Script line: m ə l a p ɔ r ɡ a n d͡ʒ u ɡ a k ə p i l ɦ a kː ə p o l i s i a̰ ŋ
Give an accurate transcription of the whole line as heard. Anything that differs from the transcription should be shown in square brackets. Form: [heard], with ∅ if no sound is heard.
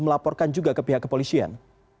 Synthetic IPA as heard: m ə l a p ɔ r [k] a n d͡ʒ u ɡ a k ə p i [∅] ɦ a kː ə p o l i s i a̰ [n]